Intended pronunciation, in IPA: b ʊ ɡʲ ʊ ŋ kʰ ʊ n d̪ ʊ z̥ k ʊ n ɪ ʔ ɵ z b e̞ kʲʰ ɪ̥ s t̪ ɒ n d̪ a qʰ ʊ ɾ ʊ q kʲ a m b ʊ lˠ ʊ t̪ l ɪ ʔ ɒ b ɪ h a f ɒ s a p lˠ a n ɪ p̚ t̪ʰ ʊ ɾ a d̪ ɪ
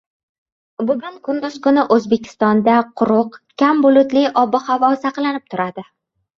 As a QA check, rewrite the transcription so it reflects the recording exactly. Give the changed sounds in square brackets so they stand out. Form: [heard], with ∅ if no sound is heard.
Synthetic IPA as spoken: b ʊ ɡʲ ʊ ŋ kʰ ʊ n d̪ ʊ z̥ k ʊ n ɪ ʔ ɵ z b e̞ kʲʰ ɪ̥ s t̪ ɒ n d̪ a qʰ ʊ ɾ ʊ q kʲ a m b ʊ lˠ ʊ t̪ l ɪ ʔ ɒ b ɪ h a [v] ɒ s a [q] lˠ a n ɪ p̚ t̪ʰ ʊ ɾ a d̪ ɪ